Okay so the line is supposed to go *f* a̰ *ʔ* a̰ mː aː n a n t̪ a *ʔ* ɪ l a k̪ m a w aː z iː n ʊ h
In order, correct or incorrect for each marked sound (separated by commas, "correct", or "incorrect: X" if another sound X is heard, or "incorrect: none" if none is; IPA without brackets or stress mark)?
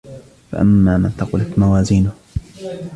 correct, correct, incorrect: q